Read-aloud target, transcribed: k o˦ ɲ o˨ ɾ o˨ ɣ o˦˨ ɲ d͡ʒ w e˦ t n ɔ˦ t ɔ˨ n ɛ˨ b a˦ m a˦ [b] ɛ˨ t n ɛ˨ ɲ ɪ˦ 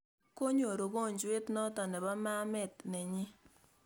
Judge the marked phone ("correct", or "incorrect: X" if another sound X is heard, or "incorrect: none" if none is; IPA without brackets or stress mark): incorrect: m